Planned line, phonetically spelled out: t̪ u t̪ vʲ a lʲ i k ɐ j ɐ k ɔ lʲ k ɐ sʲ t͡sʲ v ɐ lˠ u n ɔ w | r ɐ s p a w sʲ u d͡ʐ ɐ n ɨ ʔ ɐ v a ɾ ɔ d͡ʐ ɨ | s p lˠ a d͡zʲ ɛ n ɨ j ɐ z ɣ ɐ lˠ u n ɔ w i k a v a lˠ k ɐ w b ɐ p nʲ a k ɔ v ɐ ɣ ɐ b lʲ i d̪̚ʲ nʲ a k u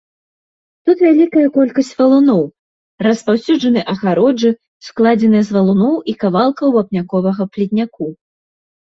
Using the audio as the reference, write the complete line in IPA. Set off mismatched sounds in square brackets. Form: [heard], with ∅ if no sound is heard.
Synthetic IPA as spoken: t̪ u t̪ vʲ a lʲ i k ɐ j ɐ k ɔ lʲ k ɐ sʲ t͡sʲ v ɐ lˠ u n ɔ w | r ɐ s p a w sʲ u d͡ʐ ɐ n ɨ ʔ ɐ [ɣ] a ɾ ɔ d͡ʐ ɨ | s [k] lˠ a d͡zʲ ɛ n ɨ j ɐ z [v] ɐ lˠ u n ɔ w i k a v a lˠ k ɐ w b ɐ p nʲ a k ɔ v ɐ ɣ ɐ [p] lʲ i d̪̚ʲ nʲ a k u